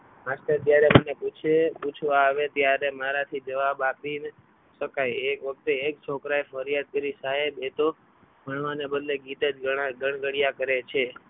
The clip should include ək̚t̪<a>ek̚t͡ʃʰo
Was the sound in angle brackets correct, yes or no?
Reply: no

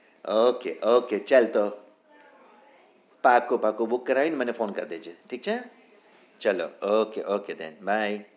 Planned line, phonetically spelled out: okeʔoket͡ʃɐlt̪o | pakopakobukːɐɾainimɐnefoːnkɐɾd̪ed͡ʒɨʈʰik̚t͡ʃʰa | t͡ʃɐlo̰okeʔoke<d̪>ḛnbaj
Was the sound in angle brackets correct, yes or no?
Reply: yes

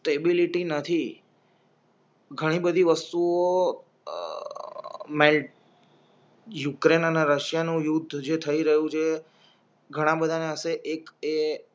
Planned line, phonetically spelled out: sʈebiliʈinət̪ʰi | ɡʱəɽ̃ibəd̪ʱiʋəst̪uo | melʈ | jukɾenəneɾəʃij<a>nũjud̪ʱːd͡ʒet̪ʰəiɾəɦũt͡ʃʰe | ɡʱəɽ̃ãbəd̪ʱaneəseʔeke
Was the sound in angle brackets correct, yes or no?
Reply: yes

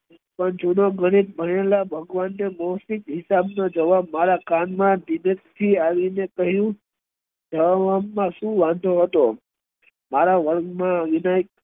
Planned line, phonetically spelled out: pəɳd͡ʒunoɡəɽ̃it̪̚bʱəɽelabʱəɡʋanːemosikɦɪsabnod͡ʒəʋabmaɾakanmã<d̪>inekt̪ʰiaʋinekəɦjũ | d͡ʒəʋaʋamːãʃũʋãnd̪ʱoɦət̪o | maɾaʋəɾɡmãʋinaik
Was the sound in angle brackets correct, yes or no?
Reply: yes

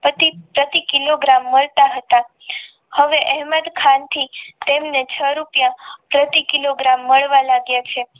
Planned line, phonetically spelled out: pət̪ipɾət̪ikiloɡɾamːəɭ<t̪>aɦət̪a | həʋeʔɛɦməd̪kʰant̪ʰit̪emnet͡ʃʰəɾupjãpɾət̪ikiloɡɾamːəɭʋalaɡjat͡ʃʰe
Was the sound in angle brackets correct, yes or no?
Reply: yes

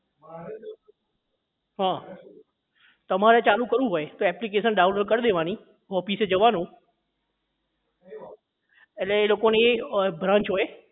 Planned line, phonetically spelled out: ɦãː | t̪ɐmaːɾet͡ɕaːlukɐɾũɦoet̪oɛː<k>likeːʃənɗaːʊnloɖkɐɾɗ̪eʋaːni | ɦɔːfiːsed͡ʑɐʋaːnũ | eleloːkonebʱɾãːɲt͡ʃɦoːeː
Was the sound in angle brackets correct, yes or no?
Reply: no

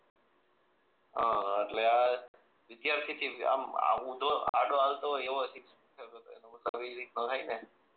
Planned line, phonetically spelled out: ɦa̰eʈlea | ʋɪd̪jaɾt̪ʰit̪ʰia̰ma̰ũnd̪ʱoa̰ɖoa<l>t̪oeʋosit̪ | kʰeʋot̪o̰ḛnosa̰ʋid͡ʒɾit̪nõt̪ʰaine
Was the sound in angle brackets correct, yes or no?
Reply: yes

